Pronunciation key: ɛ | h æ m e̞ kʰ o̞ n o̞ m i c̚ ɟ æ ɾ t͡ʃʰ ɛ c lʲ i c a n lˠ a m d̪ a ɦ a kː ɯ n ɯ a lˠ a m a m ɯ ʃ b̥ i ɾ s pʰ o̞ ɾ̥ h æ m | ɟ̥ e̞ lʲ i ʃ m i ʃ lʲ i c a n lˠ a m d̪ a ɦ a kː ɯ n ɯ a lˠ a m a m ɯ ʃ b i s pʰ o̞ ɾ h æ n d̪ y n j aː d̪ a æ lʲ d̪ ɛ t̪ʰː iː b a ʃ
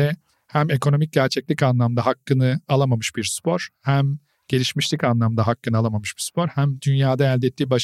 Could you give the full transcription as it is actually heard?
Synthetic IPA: ɛ | h æ m e̞ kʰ o̞ n o̞ m i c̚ ɟ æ ɾ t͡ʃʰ ɛ c lʲ i c a n lˠ a m d̪ a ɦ a kː ɯ n ɯ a lˠ a m a m ɯ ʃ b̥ i ɾ s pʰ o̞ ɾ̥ h æ m | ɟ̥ e̞ lʲ i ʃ m i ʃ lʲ i c a n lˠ a m d̪ a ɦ a kː ɯ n ɯ a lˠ a m a m ɯ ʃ b i s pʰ o̞ ɾ h æ m d̪ y n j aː d̪ a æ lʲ d̪ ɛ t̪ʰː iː b a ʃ